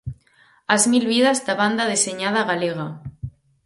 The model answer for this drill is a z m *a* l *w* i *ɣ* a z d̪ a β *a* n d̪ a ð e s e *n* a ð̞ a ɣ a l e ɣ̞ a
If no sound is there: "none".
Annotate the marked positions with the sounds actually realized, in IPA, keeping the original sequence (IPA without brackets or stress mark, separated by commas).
i, β, ð, a, ɲ